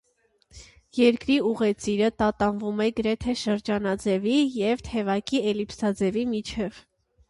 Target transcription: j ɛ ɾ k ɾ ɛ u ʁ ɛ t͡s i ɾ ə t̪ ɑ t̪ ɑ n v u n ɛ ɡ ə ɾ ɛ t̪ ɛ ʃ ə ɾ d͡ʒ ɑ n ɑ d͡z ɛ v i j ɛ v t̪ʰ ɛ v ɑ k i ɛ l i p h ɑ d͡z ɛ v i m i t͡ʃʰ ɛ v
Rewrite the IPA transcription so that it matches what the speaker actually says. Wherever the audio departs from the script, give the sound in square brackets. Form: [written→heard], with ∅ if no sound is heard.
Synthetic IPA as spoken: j ɛ ɾ k ɾ [ɛ→i] u ʁ ɛ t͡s i ɾ ə t̪ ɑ t̪ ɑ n v u [n→m] ɛ ɡ ə ɾ ɛ [t̪→t̪ʰ] ɛ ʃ ə ɾ d͡ʒ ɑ n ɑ d͡z ɛ v i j ɛ v t̪ʰ ɛ v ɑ k i ɛ l i p [h→s] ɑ d͡z ɛ v i m i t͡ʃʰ ɛ v

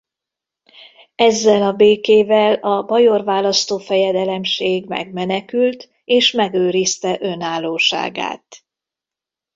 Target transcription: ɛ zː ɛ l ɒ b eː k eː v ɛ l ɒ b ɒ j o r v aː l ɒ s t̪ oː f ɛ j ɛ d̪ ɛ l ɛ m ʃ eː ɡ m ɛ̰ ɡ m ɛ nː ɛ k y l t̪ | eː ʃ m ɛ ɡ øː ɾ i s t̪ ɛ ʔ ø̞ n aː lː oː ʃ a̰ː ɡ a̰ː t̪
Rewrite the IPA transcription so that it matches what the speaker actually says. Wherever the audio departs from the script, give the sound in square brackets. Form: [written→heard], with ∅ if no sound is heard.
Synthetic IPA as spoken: ɛ zː ɛ l ɒ b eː k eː v ɛ l ɒ b ɒ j o r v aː l ɒ s t̪ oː f ɛ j ɛ d̪ ɛ l ɛ m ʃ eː ɡ m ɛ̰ ɡ m ɛ [nː→n] ɛ k y l t̪ | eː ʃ m ɛ ɡ øː ɾ i s t̪ ɛ ʔ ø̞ n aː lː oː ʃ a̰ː ɡ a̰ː t̪

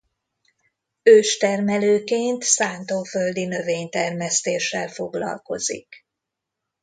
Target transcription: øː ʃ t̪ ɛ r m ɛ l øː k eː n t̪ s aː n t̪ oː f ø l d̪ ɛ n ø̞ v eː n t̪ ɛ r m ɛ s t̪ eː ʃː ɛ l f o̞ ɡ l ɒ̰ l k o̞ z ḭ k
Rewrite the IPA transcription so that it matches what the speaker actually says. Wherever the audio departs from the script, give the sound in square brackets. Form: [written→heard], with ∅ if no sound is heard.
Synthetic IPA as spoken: øː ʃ t̪ ɛ r m ɛ l øː k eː n t̪ s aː n t̪ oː f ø l d̪ [ɛ→i] n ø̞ v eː [n→ɲ] t̪ ɛ r m ɛ s t̪ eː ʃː ɛ l f o̞ ɡ l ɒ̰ l k o̞ z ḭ k

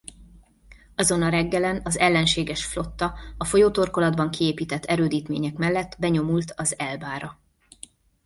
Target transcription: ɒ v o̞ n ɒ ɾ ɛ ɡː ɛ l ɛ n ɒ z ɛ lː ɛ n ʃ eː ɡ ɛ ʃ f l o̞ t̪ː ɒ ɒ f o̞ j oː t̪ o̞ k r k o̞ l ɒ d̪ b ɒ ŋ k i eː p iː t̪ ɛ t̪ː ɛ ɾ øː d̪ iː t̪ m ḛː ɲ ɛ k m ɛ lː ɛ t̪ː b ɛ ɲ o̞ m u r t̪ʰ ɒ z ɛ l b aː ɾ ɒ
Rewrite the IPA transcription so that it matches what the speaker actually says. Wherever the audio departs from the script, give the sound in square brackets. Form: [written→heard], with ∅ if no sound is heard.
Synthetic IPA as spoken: ɒ [v→z] o̞ n ɒ ɾ ɛ ɡː ɛ l ɛ n ɒ z ɛ lː ɛ n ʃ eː ɡ ɛ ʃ f l o̞ t̪ː ɒ ɒ f o̞ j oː t̪ o̞ [k→∅] r k o̞ l ɒ d̪ b ɒ ŋ k i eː p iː t̪ ɛ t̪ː ɛ ɾ øː d̪ iː t̪ m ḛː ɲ ɛ k m ɛ lː ɛ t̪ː b ɛ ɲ o̞ m u [r→l] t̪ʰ ɒ z ɛ l b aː ɾ ɒ

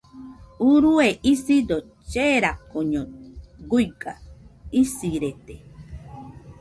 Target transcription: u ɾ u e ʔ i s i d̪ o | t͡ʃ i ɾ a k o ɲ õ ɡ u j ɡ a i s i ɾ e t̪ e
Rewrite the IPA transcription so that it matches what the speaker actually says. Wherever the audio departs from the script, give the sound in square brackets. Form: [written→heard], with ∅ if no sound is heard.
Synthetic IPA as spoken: u ɾ u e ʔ i s i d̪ o | t͡ʃ [i→e] ɾ a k o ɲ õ ɡ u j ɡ a i s i ɾ e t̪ e

